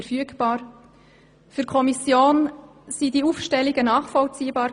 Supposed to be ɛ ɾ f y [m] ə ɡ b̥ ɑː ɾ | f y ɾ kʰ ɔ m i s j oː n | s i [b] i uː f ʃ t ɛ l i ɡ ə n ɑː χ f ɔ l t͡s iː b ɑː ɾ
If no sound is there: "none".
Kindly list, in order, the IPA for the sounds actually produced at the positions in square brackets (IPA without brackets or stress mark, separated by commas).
none, d